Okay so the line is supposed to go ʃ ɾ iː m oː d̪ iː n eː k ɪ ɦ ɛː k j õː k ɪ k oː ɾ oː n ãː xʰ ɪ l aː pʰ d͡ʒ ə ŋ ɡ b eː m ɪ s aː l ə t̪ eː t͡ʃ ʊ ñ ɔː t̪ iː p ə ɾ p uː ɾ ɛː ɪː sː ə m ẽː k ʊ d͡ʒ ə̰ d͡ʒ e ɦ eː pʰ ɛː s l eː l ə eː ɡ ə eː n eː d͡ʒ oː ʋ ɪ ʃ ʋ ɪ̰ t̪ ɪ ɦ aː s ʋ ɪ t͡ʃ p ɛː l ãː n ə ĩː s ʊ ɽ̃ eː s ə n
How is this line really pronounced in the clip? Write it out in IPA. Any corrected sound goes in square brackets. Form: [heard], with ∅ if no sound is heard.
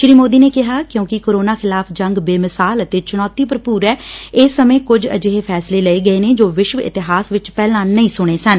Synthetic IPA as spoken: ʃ ɾ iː m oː d̪ iː n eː k ɪ ɦ [aː] k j õː k ɪ k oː ɾ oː n [aː] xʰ ɪ l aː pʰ d͡ʒ ə ŋ ɡ b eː m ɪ s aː l ə t̪ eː t͡ʃ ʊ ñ ɔː t̪ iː p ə ɾ p uː ɾ ɛː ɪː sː ə m ẽː k ʊ d͡ʒ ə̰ d͡ʒ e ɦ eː pʰ ɛː s l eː l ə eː ɡ ə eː n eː d͡ʒ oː ʋ ɪ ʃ ʋ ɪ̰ t̪ ɪ ɦ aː s ʋ ɪ t͡ʃ p ɛː l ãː n ə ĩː s ʊ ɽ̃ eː s ə n